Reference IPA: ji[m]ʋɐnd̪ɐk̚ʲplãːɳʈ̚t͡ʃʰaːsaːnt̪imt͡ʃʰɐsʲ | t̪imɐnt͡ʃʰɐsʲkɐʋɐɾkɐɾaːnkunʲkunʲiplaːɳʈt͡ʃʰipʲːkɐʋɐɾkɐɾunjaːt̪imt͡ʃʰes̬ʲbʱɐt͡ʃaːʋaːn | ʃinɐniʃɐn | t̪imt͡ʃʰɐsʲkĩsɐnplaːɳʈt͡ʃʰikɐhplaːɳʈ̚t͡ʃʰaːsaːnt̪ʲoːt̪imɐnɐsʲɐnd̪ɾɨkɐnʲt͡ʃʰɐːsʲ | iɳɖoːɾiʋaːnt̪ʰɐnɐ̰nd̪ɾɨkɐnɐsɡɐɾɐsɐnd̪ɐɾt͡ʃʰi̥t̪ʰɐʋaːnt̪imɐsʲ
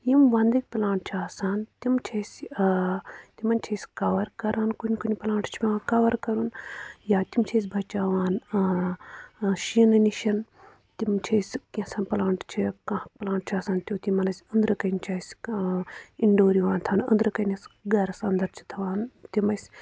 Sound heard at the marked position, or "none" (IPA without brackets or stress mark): m